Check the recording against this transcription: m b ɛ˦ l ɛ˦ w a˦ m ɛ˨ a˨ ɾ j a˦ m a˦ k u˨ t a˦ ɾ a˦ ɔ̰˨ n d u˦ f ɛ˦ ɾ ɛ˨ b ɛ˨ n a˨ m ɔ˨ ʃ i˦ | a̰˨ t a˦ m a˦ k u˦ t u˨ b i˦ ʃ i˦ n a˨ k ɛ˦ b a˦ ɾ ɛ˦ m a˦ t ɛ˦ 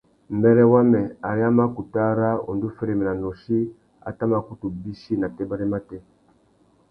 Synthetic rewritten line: m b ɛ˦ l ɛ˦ w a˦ m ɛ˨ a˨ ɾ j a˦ m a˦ k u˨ t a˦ ɾ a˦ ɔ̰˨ n d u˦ f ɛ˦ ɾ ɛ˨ m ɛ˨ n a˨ n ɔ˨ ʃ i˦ | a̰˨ t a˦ m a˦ k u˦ t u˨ b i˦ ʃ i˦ n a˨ t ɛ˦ b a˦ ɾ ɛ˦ m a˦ t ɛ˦